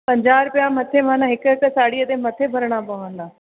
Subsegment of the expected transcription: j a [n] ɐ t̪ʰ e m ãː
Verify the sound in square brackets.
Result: incorrect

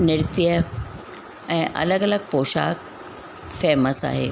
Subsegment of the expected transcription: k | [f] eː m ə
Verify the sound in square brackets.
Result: correct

